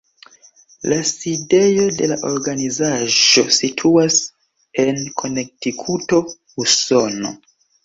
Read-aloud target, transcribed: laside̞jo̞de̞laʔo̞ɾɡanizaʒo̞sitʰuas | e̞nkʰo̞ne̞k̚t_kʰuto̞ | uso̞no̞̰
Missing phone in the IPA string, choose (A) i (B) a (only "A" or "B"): A